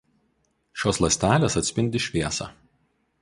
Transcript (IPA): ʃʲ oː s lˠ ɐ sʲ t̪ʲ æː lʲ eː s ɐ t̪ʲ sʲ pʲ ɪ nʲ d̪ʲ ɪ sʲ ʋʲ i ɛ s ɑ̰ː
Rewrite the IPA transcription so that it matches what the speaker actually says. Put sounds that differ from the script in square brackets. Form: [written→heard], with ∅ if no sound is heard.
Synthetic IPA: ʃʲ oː s lˠ ɐ sʲ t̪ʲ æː lʲ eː s ɐ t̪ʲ sʲ pʲ ɪ nʲ d̪ʲ ɪ [sʲ→ʃʲ] ʋʲ i ɛ s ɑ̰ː

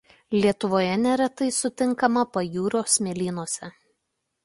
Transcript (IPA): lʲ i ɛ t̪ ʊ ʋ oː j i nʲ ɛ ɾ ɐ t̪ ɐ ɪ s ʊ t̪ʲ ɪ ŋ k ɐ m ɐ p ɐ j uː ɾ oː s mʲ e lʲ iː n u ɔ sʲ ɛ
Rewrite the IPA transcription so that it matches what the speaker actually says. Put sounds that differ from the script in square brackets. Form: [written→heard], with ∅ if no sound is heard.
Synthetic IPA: lʲ i ɛ t̪ ʊ ʋ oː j [i→ɛ] nʲ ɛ ɾ ɐ t̪ ɐ ɪ s ʊ t̪ʲ ɪ ŋ k ɐ m ɐ p ɐ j uː ɾ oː s mʲ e lʲ iː n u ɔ sʲ ɛ

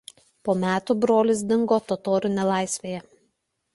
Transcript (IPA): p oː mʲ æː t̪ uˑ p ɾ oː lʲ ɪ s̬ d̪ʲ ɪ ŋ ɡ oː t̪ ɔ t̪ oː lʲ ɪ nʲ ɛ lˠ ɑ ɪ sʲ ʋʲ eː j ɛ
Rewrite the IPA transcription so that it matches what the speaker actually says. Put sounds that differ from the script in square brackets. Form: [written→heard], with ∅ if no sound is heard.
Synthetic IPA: p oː mʲ æː t̪ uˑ [p→b] ɾ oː lʲ ɪ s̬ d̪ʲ ɪ ŋ ɡ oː t̪ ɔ t̪ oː [lʲ→ɾʲ] ɪ nʲ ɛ lˠ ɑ ɪ sʲ ʋʲ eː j ɛ

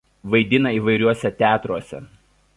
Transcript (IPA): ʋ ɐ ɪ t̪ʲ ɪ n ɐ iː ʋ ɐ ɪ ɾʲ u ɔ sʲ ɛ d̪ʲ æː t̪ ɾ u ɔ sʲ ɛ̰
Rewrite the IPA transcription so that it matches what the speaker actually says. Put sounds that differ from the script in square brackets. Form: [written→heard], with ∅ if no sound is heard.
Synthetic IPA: ʋ ɐ ɪ [t̪ʲ→d̪ʲ] ɪ n ɐ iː ʋ ɐ ɪ ɾʲ u ɔ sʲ ɛ [d̪ʲ→t̪ʲ] æː t̪ ɾ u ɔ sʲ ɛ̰

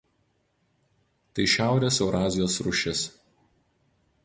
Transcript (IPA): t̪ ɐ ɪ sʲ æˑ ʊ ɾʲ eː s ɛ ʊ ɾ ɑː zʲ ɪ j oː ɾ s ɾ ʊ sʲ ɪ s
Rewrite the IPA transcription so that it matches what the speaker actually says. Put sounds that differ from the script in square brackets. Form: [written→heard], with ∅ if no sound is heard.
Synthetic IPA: t̪ ɐ ɪ [sʲ→ʃʲ] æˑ ʊ ɾʲ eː s ɛ ʊ ɾ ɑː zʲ ɪ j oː [ɾ→∅] s ɾ ʊ [sʲ→ʃʲ] ɪ s

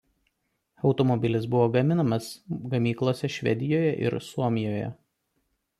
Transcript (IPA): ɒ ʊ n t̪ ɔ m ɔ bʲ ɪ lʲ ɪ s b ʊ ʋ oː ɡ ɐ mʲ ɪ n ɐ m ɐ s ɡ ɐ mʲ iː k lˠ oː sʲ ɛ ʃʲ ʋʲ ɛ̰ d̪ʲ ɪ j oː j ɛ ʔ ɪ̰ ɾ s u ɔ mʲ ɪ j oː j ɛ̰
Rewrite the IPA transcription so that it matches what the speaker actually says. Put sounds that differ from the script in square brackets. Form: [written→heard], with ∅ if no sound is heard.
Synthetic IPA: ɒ ʊ [n→∅] t̪ ɔ m ɔ bʲ ɪ lʲ ɪ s b ʊ ʋ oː ɡ ɐ mʲ ɪ n ɐ m ɐ s ɡ ɐ mʲ iː k lˠ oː sʲ ɛ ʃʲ ʋʲ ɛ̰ d̪ʲ ɪ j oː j ɛ ʔ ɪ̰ ɾ s u ɔ mʲ ɪ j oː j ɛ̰

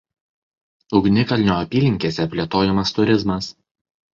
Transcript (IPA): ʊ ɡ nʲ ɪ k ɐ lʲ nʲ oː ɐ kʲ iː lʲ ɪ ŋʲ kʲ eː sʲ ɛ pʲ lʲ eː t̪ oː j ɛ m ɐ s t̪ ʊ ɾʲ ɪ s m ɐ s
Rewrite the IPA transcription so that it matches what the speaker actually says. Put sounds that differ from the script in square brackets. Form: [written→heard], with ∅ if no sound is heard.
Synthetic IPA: ʊ ɡ nʲ ɪ k ɐ lʲ nʲ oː ɐ [kʲ→pʲ] iː lʲ ɪ ŋʲ kʲ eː sʲ ɛ pʲ lʲ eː t̪ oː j ɛ m ɐ s t̪ ʊ ɾʲ ɪ [s→z] m ɐ s

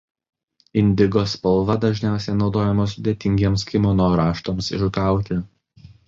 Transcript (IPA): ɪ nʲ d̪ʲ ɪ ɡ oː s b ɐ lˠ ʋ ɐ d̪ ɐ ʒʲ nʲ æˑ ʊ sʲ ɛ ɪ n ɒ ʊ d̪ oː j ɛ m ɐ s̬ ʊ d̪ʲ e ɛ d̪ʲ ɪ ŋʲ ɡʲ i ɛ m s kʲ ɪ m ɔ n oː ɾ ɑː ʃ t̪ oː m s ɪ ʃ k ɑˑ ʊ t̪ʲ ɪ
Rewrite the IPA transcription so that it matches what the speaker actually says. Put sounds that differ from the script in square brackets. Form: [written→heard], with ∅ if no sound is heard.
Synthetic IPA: ɪ nʲ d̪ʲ ɪ ɡ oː s [b→p] ɐ lˠ ʋ ɐ d̪ ɐ ʒʲ nʲ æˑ ʊ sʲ ɛ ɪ n ɒ ʊ d̪ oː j ɛ m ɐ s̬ ʊ d̪ʲ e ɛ [d̪ʲ→t̪ʲ] ɪ ŋʲ ɡʲ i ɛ m s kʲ ɪ m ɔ n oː ɾ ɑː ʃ t̪ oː m s ɪ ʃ k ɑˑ ʊ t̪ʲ ɪ

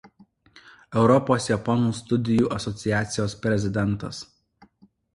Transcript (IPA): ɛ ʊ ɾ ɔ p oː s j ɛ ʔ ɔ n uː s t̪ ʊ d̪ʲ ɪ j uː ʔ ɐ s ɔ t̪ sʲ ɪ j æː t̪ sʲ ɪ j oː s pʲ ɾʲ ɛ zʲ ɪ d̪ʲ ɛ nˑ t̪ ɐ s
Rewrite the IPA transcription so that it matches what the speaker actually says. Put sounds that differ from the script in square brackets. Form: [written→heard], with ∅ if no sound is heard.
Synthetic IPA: ɛ ʊ ɾ ɔ p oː s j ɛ [ʔ→p] ɔ n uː s t̪ ʊ d̪ʲ ɪ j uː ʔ ɐ s ɔ t̪ sʲ ɪ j æː t̪ sʲ ɪ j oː s pʲ ɾʲ ɛ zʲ ɪ d̪ʲ ɛ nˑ t̪ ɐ s

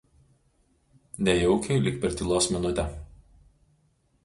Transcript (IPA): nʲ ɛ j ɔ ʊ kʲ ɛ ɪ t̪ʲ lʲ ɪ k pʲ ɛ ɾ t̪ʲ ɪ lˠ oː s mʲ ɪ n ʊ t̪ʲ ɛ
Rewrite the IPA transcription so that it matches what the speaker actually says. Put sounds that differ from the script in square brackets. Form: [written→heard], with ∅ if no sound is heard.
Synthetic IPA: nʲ ɛ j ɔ ʊ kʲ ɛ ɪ [t̪ʲ→∅] lʲ ɪ k pʲ ɛ ɾ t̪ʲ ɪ lˠ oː s mʲ ɪ n ʊ t̪ʲ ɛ

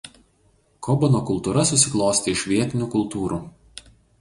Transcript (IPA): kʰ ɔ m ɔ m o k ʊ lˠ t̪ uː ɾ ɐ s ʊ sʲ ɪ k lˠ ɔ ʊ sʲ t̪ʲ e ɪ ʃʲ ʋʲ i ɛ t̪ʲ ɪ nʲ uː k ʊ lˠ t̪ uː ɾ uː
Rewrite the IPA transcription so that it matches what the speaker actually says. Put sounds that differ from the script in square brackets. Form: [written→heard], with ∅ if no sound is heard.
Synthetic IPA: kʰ ɔ [m→b] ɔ [m→n] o k ʊ lˠ t̪ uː ɾ ɐ s ʊ sʲ ɪ k lˠ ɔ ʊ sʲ t̪ʲ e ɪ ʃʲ ʋʲ i ɛ t̪ʲ ɪ nʲ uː k ʊ lˠ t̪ uː ɾ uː

